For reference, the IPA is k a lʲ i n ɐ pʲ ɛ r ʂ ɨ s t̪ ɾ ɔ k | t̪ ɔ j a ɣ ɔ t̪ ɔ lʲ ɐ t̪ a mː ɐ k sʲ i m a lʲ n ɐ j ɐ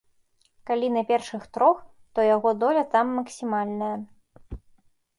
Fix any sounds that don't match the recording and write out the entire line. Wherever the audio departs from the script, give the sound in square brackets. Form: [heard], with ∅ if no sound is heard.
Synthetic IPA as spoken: k a lʲ i n ɐ pʲ ɛ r ʂ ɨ [x] t̪ ɾ ɔ [x] | t̪ ɔ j a ɣ ɔ [d̪] ɔ lʲ ɐ t̪ a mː ɐ k sʲ i m a lʲ n ɐ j ɐ